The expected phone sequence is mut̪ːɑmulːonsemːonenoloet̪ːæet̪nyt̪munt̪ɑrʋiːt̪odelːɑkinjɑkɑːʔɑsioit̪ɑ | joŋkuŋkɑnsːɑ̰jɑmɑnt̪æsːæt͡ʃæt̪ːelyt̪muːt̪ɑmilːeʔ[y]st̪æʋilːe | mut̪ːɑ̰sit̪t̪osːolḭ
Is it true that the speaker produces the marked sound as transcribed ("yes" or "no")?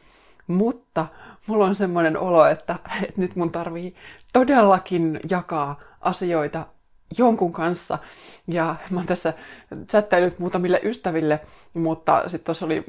yes